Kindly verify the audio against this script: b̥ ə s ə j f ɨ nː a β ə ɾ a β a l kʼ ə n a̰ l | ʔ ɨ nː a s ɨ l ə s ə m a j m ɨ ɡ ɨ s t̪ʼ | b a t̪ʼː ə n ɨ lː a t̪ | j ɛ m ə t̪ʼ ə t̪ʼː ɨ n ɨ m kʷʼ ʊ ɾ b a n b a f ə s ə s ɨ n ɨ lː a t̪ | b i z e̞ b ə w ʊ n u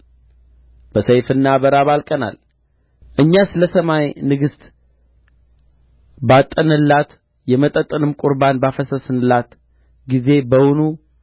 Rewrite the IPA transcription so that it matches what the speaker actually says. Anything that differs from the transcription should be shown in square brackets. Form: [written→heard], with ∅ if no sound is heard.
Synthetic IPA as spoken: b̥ ə s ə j f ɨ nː a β ə ɾ a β a l kʼ ə n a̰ l | ʔ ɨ [nː→ɲː] a s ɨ l ə s ə m a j [m→n] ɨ ɡ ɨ s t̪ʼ | b a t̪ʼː ə n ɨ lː a t̪ | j ɛ m ə t̪ʼ ə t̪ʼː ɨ n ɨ m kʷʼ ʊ ɾ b a n b a f ə s ə s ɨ n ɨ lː a t̪ | [b→ɡ] i z e̞ b ə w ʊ n u